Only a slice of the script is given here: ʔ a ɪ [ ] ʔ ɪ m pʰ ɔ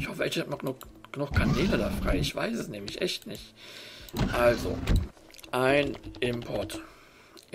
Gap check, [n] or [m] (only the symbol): n